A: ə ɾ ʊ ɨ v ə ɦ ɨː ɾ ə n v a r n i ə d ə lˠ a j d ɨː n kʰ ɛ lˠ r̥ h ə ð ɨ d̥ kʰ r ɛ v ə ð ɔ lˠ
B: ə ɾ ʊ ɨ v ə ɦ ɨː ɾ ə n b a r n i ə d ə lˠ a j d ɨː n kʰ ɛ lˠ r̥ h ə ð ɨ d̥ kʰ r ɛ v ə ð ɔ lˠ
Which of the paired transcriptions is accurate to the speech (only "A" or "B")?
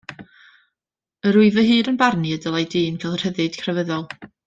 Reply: B